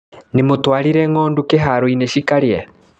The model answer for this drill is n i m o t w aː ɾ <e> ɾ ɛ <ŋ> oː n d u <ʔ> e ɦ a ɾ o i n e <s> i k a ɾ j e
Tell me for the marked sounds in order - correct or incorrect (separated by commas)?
incorrect, correct, incorrect, incorrect